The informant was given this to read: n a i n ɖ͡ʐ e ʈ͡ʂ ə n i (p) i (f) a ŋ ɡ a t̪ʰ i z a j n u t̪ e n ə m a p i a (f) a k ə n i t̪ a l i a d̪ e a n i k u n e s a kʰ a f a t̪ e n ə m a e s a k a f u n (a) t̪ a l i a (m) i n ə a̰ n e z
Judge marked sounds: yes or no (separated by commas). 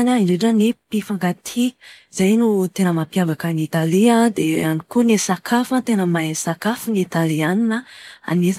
yes, yes, no, no, no